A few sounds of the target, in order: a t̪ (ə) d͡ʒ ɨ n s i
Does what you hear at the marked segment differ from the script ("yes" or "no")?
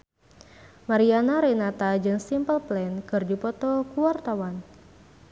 yes